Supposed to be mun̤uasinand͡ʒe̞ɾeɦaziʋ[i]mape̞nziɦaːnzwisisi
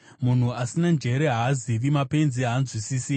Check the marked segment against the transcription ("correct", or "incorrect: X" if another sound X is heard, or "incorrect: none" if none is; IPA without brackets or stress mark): correct